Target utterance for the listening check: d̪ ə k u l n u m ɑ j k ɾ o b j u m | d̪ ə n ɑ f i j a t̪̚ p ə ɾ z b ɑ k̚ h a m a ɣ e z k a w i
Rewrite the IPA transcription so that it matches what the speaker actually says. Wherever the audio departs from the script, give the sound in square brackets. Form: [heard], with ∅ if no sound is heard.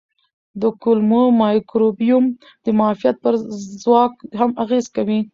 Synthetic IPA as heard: d̪ ə k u l [m] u m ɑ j k ɾ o b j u m | d̪ ə [m] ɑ f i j a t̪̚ p ə ɾ z [w] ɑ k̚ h a m a ɣ e z k a w i